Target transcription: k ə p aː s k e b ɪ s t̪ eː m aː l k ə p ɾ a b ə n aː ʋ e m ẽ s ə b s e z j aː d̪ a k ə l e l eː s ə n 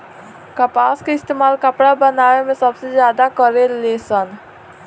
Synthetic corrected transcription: k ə p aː s k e ɪ s t̪ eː m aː l k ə p ɽ a b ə n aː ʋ e m ẽ s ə b s e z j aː d̪ a k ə ɾ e l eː s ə n